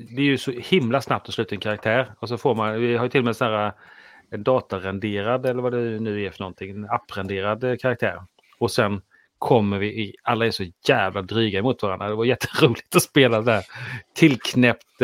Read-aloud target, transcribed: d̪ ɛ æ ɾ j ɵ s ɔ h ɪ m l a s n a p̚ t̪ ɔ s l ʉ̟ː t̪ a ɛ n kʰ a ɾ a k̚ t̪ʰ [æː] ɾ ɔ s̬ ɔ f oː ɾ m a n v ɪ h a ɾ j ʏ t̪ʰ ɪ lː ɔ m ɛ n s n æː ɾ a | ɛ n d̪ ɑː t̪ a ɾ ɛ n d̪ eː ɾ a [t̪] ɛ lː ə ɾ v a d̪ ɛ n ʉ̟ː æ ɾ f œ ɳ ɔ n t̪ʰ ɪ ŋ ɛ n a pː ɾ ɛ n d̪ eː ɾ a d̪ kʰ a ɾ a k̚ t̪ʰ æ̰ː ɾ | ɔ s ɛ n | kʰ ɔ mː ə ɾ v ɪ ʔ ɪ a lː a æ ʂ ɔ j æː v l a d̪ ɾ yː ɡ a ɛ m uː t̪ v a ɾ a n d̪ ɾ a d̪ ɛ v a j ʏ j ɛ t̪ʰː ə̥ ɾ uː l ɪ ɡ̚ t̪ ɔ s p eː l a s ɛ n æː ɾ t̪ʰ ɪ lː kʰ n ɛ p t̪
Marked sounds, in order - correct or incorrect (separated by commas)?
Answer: correct, incorrect